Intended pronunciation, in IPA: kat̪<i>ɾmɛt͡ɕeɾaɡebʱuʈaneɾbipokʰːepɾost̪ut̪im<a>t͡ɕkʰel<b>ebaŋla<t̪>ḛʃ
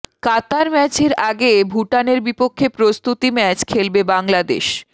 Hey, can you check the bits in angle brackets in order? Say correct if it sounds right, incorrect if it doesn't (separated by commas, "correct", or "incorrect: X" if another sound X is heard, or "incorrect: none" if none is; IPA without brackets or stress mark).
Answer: incorrect: a, incorrect: ɛ, correct, incorrect: d̪